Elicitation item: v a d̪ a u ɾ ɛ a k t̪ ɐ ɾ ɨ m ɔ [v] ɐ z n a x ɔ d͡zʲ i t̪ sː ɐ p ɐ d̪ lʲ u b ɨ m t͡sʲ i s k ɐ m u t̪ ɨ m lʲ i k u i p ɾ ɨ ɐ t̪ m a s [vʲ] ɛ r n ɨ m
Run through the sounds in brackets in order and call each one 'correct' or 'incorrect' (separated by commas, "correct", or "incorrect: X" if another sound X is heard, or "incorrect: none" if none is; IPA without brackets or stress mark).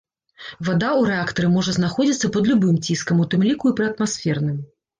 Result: incorrect: ʐ, incorrect: fʲ